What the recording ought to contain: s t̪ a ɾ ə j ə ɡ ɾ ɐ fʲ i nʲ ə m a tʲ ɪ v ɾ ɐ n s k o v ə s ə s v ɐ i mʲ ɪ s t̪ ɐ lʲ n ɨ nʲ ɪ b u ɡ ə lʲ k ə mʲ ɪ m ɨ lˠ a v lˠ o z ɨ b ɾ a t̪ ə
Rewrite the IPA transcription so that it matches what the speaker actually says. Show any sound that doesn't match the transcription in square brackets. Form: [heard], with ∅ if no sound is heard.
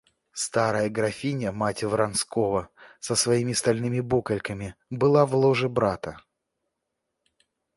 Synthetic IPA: s t̪ a ɾ ə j ə ɡ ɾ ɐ fʲ i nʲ ə m a tʲ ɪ v ɾ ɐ n s k o v ə s ə s v ɐ i mʲ ɪ s t̪ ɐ lʲ n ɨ [mʲ] ɪ b u [k] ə lʲ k ə mʲ ɪ [b] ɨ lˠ a v lˠ o [ʐ] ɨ b ɾ a t̪ ə